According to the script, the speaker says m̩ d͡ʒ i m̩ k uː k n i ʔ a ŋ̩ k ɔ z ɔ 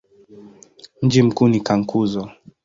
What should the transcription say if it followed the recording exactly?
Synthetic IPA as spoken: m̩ d͡ʒ i m̩ k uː n i k a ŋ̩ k u z ɔ